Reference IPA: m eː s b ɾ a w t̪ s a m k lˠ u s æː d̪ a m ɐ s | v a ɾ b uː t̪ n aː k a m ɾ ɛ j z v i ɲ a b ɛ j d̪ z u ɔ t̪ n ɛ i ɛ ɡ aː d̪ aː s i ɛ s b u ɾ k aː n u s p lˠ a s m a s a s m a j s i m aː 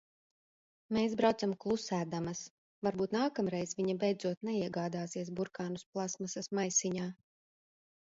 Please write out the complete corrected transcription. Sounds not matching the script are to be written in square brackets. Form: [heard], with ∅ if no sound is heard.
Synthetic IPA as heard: m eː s b ɾ a w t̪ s a m k lˠ u s æː d̪ a m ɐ s | v a ɾ b uː t̪ n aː k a m ɾ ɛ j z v i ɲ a b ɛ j d̪ z u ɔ t̪ n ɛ i ɛ ɡ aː d̪ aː s i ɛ s b u ɾ k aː n u s p lˠ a s m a s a s m a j s i [ɲ] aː